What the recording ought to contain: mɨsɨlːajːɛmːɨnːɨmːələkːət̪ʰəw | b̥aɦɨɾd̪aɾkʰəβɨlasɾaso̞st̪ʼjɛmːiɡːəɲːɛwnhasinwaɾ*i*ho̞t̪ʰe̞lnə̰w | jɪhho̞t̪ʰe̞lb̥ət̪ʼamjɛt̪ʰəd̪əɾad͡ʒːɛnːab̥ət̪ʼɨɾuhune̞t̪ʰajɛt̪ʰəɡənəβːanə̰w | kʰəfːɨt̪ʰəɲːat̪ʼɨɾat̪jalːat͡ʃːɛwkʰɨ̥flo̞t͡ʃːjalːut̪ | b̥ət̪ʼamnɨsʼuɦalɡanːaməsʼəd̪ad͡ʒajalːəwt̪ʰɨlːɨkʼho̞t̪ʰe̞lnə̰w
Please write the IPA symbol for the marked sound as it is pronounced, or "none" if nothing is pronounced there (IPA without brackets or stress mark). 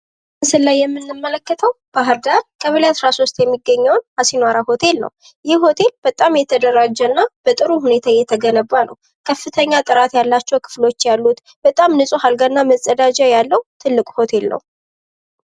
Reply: a